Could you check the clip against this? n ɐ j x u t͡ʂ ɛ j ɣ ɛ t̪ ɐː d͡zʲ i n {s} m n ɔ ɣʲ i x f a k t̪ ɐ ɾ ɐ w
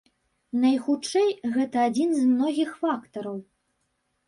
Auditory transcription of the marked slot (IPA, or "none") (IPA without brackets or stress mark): z